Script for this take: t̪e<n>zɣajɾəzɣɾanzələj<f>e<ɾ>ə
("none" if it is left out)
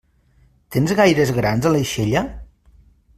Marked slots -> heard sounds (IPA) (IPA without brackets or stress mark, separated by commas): n, ʃ, ʎ